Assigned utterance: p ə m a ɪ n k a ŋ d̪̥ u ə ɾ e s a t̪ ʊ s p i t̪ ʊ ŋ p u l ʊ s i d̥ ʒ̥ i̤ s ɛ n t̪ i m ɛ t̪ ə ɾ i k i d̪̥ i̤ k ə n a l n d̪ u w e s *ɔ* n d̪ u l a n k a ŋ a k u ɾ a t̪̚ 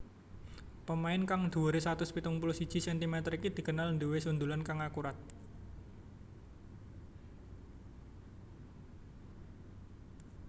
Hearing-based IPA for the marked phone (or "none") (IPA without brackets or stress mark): u